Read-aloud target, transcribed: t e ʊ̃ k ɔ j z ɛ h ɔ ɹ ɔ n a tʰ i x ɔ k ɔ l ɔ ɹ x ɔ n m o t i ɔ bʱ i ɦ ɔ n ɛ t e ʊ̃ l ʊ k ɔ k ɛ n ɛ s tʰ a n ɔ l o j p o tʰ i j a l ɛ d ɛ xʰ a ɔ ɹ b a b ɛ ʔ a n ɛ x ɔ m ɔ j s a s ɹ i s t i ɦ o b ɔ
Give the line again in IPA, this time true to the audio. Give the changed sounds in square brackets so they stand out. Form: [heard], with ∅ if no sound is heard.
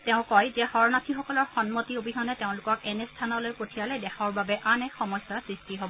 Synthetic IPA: t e ʊ̃ k ɔ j z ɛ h ɔ ɹ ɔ n a tʰ i x ɔ k ɔ l ɔ ɹ x ɔ n m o t i [o] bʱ i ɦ ɔ n ɛ t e ʊ̃ l ʊ k ɔ k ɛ n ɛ s tʰ a n ɔ l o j p o tʰ i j a l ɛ d ɛ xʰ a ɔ ɹ b a b ɛ ʔ a n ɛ x ɔ m ɔ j s a s ɹ i s t i ɦ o b ɔ